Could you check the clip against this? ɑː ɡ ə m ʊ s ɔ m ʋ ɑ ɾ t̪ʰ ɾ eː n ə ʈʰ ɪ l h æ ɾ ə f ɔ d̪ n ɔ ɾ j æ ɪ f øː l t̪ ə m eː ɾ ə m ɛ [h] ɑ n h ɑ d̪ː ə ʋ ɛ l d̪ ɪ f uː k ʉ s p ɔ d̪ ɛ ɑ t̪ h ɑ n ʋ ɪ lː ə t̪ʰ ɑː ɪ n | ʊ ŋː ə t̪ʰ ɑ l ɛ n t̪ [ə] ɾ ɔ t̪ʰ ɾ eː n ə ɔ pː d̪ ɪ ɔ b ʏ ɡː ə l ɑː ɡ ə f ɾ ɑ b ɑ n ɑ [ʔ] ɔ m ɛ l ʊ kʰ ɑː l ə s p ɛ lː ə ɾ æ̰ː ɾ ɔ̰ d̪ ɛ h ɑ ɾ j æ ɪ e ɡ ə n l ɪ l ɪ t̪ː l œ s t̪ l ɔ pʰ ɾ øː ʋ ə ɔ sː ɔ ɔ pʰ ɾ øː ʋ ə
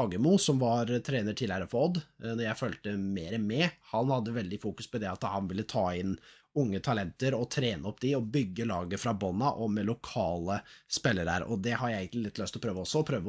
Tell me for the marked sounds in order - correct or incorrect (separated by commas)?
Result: correct, correct, correct